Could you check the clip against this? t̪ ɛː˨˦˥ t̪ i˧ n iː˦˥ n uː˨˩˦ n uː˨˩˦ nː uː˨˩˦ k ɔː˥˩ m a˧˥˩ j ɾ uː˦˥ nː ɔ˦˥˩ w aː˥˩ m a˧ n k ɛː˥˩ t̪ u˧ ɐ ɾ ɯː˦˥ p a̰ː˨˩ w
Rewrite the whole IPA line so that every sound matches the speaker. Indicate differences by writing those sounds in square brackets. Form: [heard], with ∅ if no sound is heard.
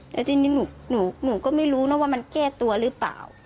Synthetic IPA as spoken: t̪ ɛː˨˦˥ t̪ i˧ n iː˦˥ n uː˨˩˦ n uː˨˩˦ [n] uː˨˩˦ k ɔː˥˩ m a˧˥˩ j ɾ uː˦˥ [n] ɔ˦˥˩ w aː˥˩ m a˧ n k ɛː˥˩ t̪ u˧ ɐ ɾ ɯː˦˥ p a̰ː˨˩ w